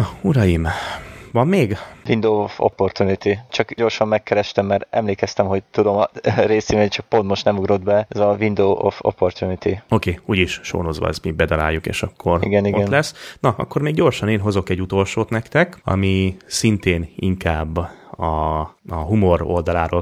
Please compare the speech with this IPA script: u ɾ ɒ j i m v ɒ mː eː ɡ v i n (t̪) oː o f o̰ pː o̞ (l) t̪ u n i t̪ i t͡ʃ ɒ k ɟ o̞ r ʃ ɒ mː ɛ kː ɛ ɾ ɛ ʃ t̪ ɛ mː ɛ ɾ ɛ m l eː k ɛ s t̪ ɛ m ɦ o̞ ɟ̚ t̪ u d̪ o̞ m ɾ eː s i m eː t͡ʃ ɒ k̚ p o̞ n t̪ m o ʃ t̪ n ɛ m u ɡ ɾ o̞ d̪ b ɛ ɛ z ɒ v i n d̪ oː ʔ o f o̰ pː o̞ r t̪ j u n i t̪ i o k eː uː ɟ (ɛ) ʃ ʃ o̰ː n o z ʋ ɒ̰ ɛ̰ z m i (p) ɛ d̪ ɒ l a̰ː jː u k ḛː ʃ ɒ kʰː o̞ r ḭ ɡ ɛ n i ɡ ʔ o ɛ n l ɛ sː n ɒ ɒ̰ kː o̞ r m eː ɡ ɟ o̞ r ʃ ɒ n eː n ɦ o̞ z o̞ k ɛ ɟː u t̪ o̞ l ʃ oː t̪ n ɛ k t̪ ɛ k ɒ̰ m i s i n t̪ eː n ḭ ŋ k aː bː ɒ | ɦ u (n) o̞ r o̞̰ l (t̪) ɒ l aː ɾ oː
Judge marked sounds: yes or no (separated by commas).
no, no, no, no, no, no